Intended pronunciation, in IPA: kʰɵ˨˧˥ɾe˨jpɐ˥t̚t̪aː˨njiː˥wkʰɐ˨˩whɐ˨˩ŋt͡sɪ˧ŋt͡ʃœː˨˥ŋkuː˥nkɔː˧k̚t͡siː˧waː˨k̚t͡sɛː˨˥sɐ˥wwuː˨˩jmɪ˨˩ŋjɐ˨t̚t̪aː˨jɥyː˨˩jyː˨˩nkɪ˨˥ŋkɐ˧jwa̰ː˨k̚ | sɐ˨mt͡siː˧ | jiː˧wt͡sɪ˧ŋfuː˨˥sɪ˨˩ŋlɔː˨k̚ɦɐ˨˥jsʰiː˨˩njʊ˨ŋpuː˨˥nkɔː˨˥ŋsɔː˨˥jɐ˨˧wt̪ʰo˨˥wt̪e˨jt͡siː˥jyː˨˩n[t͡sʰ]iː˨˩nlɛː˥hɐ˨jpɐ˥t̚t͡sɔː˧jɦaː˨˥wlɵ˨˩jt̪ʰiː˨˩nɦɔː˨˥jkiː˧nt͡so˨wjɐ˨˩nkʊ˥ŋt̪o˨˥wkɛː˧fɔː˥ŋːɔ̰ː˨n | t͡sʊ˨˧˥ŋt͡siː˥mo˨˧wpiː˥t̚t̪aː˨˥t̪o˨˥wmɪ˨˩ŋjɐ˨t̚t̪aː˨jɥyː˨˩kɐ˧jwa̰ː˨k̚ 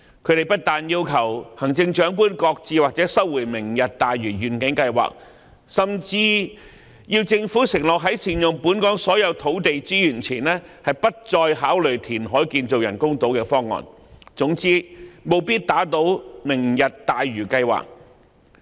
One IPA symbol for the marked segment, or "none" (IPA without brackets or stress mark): t͡sʰ